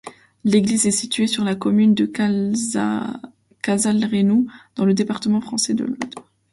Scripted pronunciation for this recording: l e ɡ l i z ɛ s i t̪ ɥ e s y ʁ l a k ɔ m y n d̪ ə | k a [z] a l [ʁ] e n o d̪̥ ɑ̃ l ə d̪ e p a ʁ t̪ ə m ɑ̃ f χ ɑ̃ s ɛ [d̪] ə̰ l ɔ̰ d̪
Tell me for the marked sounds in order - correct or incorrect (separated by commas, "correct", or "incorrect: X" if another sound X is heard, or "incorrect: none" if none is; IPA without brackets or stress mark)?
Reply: correct, correct, correct